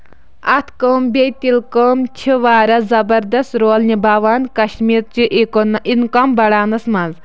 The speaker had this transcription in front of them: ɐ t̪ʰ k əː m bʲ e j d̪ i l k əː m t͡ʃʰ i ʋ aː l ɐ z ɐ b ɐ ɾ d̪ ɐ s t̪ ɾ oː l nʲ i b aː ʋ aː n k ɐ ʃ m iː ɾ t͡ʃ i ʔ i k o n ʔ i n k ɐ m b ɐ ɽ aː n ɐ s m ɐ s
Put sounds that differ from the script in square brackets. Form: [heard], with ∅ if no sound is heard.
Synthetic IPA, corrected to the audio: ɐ t̪ʰ k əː m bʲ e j [t̪] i l k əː m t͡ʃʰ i ʋ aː [ɾ] ɐ z ɐ b ɐ ɾ d̪ ɐ s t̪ ɾ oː l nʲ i b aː ʋ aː n k ɐ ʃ m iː ɾ t͡ʃ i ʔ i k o n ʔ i n k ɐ m b ɐ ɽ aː n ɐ s m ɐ [z]